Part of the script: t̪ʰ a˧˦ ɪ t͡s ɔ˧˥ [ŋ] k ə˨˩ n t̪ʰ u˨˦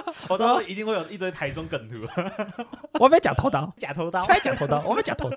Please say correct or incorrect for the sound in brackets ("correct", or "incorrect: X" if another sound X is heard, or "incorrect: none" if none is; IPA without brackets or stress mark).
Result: correct